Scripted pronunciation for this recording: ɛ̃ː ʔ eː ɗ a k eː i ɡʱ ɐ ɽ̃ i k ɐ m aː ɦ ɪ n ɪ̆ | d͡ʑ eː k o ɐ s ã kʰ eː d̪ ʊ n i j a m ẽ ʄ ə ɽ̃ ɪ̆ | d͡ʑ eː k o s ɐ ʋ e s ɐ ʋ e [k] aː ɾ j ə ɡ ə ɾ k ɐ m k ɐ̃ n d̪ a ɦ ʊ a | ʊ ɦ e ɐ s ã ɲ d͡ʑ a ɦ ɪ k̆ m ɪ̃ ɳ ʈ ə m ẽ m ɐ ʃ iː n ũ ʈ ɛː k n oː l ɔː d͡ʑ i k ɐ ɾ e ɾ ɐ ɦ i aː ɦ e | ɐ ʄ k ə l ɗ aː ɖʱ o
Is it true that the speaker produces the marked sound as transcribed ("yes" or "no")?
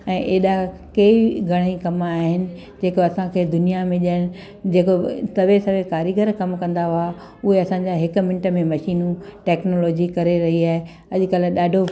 yes